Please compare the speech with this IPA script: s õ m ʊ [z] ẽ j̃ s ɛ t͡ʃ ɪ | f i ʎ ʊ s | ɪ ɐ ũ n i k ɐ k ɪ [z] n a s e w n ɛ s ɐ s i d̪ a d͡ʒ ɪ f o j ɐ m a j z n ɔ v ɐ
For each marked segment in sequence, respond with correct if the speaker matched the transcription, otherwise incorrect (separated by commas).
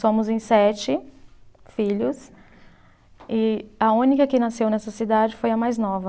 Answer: correct, incorrect